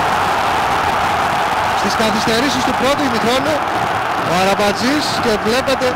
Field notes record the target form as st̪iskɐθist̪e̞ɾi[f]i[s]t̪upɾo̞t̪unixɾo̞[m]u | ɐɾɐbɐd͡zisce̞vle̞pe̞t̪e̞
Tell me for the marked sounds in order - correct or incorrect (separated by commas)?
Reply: incorrect, correct, incorrect